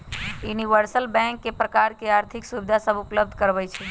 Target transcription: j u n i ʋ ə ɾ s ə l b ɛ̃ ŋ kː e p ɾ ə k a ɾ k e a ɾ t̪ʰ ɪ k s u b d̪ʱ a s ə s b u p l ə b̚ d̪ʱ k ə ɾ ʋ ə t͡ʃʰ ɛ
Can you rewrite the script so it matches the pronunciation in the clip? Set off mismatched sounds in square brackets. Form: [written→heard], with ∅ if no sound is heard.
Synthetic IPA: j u n i ʋ ə ɾ s ə l b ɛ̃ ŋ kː e p ɾ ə k a ɾ k e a ɾ t̪ʰ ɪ k s u b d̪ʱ a s ə [s→∅] b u p l ə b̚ d̪ʱ k ə ɾ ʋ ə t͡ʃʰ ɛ